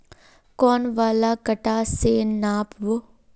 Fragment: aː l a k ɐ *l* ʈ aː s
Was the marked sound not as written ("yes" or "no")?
yes